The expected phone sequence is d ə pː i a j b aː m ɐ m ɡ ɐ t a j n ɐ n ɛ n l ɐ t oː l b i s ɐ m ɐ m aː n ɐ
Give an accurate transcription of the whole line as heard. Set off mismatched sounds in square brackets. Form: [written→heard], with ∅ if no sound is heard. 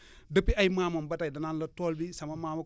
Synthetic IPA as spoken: d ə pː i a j [b→m] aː m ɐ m [ɡ→b] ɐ t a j [n→d] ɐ n [ɛ→a] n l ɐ t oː l b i s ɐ m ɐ m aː [n→m] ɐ